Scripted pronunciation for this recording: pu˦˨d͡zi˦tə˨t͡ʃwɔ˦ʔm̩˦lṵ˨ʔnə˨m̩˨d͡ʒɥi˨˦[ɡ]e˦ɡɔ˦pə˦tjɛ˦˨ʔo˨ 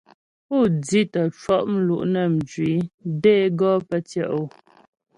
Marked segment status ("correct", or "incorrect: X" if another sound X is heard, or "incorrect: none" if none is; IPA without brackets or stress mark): incorrect: d